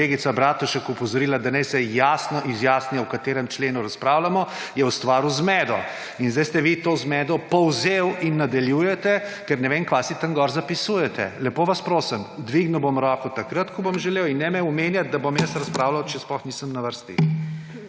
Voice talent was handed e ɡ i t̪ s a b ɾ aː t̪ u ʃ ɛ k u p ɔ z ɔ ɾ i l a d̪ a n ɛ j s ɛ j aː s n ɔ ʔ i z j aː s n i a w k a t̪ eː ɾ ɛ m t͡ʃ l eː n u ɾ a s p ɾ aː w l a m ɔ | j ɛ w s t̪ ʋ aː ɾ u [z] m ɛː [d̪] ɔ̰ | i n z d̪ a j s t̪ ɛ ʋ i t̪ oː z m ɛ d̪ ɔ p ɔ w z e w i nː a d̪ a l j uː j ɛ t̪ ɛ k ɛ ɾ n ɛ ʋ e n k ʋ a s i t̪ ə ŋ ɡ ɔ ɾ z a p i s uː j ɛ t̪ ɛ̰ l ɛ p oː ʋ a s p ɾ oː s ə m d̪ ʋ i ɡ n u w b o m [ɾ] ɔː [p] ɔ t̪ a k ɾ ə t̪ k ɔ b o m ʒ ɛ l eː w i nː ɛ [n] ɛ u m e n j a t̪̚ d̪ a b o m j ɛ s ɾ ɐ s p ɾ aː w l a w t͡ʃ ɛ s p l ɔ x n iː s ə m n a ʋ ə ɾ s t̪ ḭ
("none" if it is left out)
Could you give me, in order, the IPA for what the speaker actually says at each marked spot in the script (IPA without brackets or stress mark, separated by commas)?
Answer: z, d̪, ɾ, k, m